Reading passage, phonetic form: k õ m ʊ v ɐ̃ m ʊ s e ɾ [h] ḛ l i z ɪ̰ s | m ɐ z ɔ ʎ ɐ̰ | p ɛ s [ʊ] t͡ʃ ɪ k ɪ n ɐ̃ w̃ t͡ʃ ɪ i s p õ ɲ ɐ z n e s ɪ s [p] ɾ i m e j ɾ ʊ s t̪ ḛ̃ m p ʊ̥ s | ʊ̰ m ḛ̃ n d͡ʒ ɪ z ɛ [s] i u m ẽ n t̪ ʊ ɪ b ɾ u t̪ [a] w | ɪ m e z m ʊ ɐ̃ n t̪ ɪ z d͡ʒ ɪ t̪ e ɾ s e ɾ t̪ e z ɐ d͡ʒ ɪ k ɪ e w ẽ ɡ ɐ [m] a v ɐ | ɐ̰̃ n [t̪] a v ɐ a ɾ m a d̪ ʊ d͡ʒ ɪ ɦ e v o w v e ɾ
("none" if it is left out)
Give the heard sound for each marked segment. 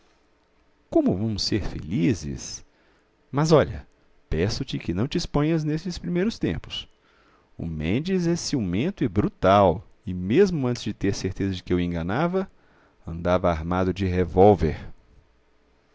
f, ʊ, p, s, a, n, d̪

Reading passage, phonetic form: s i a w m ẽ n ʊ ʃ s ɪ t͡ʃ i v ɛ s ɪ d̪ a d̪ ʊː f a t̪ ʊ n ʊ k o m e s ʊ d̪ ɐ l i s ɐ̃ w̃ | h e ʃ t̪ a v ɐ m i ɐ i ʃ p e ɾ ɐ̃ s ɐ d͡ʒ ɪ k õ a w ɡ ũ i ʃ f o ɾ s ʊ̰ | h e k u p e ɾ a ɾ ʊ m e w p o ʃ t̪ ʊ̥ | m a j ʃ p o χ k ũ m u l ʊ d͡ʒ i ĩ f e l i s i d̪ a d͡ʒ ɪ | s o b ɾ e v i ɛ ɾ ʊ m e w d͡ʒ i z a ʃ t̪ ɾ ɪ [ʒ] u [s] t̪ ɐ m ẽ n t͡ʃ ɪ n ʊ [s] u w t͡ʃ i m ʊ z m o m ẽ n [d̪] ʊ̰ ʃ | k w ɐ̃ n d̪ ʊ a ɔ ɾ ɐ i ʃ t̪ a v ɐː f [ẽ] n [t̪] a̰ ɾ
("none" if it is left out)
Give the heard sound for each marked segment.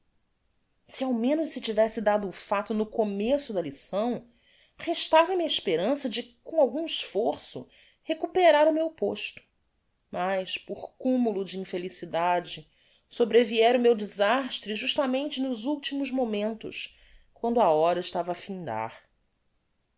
ʒ, ʃ, z, t̪, ĩ, d̪

